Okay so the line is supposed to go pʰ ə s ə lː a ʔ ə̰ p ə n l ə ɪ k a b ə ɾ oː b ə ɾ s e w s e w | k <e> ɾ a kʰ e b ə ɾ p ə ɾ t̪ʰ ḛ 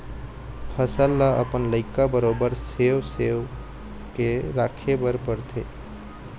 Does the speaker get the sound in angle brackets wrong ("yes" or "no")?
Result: no